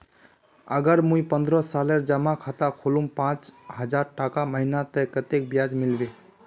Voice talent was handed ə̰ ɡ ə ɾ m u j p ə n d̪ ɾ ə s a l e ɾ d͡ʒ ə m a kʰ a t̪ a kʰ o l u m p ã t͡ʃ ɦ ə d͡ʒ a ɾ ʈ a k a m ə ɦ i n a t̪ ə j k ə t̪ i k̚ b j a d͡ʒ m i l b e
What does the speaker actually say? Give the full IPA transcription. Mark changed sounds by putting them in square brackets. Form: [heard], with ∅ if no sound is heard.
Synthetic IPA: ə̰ ɡ ə ɾ m u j p ə n d̪ ɾ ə s a l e ɾ d͡ʒ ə m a kʰ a t̪ a kʰ o l u m p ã t͡ʃ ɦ ə d͡ʒ a ɾ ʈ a k a m ə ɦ i n a t̪ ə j k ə t̪ [e] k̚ b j a d͡ʒ m i l b e